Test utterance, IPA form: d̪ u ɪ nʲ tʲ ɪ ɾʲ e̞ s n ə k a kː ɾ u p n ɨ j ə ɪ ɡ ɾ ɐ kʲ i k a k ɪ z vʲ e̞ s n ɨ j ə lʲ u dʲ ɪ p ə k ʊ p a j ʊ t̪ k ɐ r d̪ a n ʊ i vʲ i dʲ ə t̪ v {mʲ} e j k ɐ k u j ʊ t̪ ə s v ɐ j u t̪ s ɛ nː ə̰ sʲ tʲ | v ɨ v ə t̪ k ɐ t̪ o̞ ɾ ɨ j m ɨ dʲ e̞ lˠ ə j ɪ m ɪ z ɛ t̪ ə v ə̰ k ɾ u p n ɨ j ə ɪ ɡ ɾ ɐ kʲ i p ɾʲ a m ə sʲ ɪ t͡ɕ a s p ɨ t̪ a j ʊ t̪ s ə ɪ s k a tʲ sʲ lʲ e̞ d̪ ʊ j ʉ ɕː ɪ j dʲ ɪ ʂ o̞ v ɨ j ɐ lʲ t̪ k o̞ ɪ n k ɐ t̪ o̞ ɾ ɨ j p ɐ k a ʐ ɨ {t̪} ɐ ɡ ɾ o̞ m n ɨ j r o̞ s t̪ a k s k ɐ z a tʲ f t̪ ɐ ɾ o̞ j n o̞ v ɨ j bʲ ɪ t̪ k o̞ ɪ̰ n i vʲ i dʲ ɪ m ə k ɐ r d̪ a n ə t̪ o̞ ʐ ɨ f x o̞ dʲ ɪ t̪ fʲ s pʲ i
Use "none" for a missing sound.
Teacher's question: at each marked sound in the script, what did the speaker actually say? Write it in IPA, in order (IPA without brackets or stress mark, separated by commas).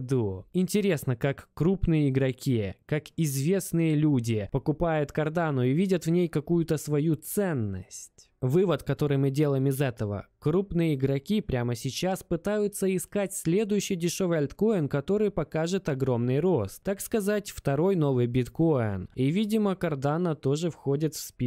nʲ, t̪